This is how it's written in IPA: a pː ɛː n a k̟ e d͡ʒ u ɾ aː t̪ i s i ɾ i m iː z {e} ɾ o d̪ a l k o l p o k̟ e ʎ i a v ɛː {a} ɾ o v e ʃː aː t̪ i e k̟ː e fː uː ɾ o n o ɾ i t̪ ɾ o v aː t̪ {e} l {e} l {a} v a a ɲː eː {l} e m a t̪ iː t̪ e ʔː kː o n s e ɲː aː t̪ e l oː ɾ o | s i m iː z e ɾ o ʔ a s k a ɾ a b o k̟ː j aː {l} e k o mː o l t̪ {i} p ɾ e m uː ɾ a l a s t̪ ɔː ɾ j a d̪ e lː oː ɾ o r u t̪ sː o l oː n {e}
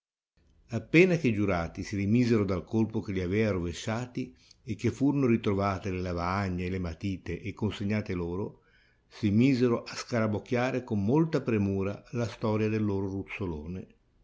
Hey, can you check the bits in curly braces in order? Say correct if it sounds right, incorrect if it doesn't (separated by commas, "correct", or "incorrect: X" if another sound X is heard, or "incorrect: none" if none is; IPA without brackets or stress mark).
correct, correct, correct, correct, correct, correct, incorrect: ɾ, incorrect: a, correct